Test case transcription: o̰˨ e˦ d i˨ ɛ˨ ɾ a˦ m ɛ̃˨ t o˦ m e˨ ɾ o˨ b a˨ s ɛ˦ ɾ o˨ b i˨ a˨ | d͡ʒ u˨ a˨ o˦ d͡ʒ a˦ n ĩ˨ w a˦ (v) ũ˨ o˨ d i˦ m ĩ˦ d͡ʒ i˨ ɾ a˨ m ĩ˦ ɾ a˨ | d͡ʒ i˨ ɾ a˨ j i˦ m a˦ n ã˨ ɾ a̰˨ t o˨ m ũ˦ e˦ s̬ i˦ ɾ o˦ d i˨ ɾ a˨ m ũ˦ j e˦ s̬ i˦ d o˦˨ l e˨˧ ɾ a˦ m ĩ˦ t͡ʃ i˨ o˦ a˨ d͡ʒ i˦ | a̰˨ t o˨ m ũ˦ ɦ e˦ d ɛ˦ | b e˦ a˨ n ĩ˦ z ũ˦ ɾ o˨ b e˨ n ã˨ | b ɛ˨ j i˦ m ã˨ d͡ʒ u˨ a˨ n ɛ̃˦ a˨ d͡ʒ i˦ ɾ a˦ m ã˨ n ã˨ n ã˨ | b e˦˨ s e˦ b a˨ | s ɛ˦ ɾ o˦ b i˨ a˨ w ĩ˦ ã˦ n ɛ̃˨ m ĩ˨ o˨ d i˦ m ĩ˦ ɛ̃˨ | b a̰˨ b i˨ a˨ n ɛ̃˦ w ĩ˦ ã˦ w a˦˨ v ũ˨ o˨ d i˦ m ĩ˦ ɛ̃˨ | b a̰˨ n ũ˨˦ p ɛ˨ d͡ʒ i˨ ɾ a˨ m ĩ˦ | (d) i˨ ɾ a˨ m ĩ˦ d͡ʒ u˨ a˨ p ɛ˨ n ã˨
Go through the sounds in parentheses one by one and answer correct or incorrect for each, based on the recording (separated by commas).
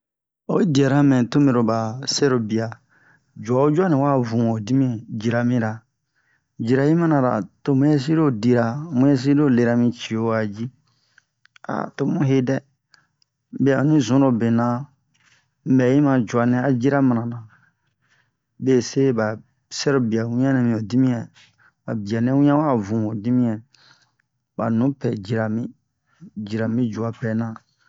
correct, incorrect